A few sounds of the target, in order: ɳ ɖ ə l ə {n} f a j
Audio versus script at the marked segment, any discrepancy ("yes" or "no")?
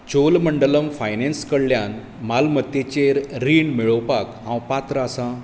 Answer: yes